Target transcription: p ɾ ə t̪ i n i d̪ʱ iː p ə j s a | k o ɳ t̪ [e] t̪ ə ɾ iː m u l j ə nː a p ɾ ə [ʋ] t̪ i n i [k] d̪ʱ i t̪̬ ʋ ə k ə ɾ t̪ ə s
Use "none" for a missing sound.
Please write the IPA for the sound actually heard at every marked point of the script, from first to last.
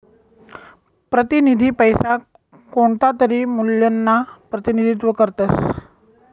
a, none, none

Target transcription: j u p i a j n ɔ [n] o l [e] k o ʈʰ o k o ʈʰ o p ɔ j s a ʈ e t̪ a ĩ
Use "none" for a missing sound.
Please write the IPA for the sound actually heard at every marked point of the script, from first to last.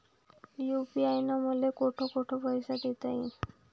m, e

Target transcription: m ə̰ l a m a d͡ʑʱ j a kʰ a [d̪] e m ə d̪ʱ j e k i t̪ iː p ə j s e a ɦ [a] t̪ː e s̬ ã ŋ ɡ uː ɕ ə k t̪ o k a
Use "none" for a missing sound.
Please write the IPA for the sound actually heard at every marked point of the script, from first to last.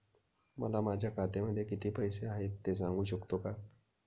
t̪, e

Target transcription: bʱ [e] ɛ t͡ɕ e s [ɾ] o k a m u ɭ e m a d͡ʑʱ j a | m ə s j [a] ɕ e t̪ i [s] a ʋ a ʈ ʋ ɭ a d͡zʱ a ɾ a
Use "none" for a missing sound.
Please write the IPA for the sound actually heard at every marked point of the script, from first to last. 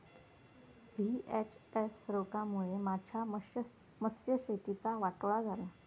i, ɾ, ə, t͡s

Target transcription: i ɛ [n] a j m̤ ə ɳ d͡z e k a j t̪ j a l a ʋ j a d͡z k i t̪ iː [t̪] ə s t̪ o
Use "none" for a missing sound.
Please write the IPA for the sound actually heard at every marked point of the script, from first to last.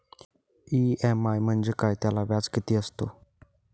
m, none

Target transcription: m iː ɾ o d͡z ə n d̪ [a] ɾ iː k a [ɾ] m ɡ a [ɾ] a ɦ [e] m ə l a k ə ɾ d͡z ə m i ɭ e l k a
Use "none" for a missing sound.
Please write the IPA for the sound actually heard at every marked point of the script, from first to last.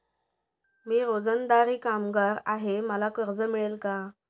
a, none, ɾ, e

